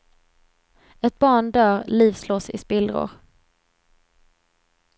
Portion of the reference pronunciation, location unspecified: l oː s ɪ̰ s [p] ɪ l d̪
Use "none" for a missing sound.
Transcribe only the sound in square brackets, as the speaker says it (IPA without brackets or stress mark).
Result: p